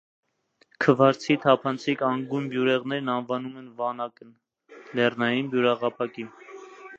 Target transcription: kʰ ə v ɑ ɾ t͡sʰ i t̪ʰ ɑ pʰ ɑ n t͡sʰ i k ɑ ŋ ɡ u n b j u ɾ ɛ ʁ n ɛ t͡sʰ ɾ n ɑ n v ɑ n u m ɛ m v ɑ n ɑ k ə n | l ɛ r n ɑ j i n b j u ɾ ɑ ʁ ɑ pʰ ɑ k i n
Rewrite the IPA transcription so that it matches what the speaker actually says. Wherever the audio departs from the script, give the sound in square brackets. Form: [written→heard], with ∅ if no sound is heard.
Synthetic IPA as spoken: kʰ ə v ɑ ɾ t͡sʰ i t̪ʰ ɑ pʰ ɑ n t͡sʰ i k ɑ ŋ ɡ u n b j u ɾ ɛ ʁ n ɛ [t͡sʰ→∅] ɾ n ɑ n v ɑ n u m ɛ [m→n] v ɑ n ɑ k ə n | l ɛ r n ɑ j i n b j u ɾ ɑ ʁ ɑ pʰ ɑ k i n

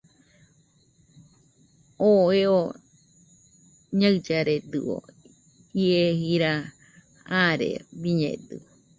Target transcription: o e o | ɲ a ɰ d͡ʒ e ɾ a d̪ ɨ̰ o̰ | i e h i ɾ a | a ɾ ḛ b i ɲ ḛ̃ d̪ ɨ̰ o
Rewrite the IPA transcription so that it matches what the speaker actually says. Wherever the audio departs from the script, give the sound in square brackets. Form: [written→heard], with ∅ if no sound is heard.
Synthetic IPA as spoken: o e o | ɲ a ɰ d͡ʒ [e→a] ɾ [a→e] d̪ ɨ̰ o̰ | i e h i ɾ a | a ɾ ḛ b i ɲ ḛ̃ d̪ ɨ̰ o

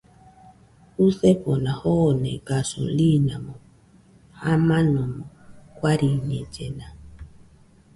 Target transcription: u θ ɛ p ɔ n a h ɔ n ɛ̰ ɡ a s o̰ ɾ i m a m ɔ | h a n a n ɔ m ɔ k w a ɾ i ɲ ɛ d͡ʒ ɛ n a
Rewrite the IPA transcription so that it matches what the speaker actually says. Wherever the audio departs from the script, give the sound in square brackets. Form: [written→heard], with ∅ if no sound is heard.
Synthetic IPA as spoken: u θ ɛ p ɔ n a h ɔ n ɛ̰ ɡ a s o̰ [ɾ→l] i [m→n] a m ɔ | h a [n→m] a n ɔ m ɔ k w a ɾ i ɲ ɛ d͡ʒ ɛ n a

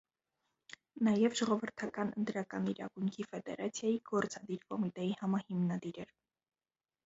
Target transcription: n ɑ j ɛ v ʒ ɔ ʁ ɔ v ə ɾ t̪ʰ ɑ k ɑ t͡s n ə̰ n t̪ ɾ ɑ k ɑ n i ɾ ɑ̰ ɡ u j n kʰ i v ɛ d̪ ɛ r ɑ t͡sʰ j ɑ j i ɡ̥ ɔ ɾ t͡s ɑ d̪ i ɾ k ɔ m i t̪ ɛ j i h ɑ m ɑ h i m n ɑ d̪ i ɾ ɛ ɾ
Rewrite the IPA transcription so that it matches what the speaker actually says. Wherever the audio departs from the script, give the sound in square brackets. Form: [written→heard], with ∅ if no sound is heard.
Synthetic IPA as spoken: n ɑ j ɛ v ʒ ɔ ʁ ɔ v ə ɾ t̪ʰ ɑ k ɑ [t͡s→∅] n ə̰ n t̪ ɾ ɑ k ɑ n i ɾ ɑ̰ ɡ u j [n→ŋ] kʰ i [v→f] ɛ d̪ ɛ [r→ɾ] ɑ t͡sʰ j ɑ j i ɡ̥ ɔ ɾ t͡s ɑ d̪ i ɾ k ɔ m i t̪ ɛ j i h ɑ m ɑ h i m n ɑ d̪ i ɾ ɛ ɾ

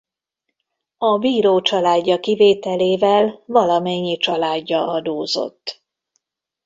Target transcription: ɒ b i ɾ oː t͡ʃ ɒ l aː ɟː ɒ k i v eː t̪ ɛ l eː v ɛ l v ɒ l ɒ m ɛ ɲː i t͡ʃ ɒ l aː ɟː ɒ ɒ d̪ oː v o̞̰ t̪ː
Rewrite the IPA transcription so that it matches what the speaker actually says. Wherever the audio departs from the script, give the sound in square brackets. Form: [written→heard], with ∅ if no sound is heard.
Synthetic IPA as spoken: ɒ b [i→iː] ɾ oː t͡ʃ ɒ l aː ɟː ɒ k i v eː t̪ ɛ l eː v ɛ l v ɒ l ɒ m ɛ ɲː i t͡ʃ ɒ l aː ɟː ɒ ɒ d̪ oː [v→z] o̞̰ t̪ː

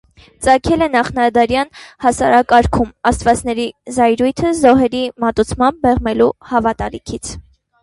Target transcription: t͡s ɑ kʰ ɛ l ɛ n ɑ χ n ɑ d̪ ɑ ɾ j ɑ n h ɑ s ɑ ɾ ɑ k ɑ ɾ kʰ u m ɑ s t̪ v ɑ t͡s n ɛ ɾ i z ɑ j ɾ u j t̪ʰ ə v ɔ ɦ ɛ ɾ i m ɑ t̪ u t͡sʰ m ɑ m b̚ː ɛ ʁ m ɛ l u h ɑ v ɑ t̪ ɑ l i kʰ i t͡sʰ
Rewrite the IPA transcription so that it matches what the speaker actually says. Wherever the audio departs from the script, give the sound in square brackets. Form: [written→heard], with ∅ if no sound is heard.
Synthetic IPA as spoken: t͡s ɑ kʰ ɛ l ɛ n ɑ χ n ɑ d̪ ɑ ɾ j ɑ n h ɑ s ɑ ɾ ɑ k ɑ ɾ kʰ u m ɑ s t̪ v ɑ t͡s n ɛ ɾ i z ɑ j ɾ u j t̪ʰ ə [v→z] ɔ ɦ ɛ ɾ i m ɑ t̪ u t͡sʰ m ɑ m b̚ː ɛ ʁ m ɛ l u h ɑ v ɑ t̪ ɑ l i kʰ i t͡sʰ

